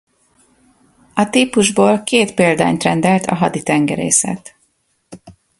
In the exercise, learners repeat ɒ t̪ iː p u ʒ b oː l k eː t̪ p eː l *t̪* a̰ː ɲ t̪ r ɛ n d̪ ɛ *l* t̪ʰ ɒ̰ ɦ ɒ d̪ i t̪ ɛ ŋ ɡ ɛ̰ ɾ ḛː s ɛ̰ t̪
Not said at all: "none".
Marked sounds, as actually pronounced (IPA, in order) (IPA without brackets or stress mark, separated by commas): d̪, l